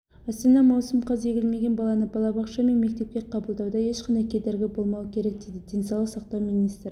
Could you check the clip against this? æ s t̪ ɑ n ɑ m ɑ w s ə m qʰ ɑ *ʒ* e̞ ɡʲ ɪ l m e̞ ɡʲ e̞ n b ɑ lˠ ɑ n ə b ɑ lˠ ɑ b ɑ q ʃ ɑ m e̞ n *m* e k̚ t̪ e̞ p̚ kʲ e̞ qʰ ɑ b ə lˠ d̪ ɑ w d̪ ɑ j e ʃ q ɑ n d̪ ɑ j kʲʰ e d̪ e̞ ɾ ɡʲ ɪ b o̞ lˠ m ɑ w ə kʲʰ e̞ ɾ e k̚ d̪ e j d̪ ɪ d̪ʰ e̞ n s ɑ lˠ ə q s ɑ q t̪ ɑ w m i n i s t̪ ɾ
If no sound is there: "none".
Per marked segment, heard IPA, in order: z, m

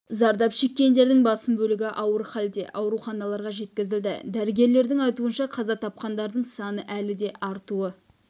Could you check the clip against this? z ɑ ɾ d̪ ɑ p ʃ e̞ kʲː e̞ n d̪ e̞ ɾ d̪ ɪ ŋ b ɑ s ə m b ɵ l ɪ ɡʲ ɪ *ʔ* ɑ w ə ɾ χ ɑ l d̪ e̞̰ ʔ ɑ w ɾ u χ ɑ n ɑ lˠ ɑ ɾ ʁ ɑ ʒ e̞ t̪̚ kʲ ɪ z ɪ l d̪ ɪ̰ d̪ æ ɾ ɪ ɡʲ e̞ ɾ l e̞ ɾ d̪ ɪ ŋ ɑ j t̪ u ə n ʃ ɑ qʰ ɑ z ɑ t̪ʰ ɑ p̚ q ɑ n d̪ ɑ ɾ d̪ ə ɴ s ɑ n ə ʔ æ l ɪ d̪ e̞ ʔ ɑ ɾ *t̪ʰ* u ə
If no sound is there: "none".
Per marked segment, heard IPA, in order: ʔ, t̪

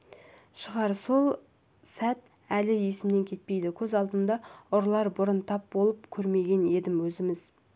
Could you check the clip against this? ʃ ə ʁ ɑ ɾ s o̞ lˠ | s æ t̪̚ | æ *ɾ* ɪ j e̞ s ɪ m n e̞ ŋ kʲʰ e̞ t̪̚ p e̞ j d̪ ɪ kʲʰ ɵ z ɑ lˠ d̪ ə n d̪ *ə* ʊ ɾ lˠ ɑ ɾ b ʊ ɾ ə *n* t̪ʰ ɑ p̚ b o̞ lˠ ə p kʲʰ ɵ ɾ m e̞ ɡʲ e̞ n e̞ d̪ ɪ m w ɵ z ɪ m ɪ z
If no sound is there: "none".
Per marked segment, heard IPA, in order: l, ɑ, n

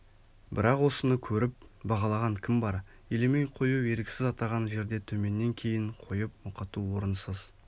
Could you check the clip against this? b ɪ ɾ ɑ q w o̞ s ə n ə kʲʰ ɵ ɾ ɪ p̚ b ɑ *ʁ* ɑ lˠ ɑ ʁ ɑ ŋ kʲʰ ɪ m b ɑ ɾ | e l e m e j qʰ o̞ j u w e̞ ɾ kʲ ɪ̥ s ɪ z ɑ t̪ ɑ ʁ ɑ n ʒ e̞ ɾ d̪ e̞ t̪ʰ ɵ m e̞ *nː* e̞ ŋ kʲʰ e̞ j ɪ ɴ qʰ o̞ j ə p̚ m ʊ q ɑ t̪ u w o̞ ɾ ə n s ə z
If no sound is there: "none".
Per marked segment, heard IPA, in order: ʁ, nː

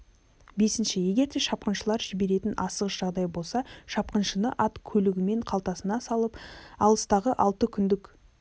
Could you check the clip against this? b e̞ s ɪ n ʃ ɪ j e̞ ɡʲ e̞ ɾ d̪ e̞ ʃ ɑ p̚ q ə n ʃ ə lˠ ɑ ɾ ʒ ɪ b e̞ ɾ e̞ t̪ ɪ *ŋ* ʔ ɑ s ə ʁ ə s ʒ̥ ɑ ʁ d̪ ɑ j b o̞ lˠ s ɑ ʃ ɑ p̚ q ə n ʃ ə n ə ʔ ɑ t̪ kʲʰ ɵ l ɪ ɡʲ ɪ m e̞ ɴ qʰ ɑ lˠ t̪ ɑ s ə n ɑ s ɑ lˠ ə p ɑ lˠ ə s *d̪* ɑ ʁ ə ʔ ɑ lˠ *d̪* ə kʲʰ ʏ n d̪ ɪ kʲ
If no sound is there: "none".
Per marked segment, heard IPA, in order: n, t̪, t̪

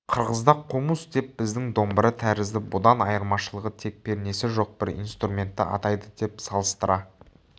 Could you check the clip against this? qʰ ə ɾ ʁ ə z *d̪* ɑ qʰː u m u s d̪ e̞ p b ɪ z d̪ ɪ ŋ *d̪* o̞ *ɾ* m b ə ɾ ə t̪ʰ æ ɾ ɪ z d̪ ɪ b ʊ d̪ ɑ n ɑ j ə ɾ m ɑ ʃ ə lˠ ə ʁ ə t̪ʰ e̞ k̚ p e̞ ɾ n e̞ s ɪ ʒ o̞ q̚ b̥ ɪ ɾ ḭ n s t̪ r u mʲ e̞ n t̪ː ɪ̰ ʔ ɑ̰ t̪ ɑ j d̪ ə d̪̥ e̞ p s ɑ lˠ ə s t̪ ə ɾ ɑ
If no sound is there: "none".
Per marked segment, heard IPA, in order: d̪, d̪, none

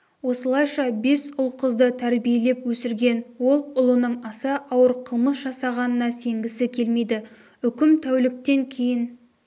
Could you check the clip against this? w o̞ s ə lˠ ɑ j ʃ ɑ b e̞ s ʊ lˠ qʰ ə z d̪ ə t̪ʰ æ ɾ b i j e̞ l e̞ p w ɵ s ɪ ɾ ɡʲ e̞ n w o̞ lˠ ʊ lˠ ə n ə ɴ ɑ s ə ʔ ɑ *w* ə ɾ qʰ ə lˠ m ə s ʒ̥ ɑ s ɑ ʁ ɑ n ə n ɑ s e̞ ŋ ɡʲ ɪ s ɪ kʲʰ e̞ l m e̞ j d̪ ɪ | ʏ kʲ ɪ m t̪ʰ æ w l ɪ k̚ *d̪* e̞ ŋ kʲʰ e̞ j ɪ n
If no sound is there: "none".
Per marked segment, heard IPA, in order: w, t̪

